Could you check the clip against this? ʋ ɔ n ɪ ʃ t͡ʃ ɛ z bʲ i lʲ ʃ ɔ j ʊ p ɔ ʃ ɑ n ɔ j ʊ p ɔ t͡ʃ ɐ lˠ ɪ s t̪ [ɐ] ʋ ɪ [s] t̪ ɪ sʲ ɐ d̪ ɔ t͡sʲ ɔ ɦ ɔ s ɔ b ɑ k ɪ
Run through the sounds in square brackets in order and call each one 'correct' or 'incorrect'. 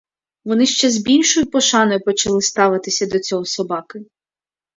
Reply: incorrect, incorrect

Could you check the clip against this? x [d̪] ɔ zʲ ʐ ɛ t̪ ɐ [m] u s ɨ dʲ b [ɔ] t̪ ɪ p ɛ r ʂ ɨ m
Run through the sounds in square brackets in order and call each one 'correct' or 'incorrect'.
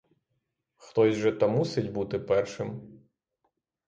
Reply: incorrect, correct, incorrect

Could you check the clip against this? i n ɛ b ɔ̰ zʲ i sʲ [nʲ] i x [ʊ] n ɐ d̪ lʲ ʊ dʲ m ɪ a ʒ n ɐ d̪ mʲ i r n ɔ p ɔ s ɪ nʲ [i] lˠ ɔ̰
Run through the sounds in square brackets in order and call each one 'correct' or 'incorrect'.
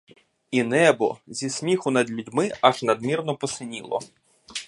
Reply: incorrect, correct, correct

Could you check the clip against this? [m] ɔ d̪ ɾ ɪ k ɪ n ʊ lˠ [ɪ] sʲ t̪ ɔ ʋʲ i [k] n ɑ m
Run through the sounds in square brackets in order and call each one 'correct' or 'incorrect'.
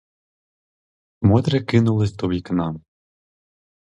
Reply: correct, correct, correct

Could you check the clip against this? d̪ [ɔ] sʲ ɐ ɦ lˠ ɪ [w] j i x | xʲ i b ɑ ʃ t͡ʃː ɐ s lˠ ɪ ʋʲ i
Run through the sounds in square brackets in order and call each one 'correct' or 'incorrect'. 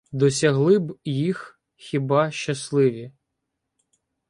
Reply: correct, incorrect

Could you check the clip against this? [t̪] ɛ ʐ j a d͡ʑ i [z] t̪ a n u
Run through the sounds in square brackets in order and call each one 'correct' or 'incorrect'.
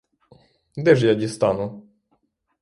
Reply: incorrect, incorrect

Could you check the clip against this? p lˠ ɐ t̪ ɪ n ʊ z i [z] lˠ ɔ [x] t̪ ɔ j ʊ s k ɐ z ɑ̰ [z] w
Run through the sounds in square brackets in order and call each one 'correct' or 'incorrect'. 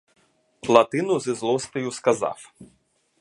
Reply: correct, incorrect, incorrect

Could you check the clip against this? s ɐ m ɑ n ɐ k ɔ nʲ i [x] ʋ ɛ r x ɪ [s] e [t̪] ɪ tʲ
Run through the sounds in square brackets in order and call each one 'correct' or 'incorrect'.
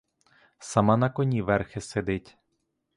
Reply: incorrect, correct, incorrect

